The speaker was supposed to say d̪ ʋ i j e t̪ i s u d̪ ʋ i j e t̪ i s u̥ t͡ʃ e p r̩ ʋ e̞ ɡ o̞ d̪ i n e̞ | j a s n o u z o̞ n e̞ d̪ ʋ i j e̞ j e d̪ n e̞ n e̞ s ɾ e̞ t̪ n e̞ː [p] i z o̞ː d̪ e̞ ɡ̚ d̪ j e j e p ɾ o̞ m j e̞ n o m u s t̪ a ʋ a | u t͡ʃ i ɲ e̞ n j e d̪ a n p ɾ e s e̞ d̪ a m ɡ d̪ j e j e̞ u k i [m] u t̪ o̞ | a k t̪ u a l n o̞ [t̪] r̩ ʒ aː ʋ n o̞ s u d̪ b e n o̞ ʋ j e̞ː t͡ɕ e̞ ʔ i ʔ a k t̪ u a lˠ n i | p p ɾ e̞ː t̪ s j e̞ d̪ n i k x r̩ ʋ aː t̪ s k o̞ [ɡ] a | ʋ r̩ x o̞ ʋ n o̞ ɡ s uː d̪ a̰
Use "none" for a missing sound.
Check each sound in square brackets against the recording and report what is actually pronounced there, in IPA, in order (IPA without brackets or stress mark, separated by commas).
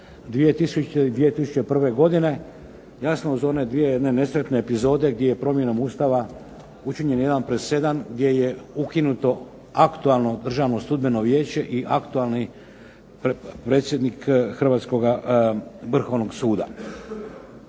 p, n, d̪, ɡ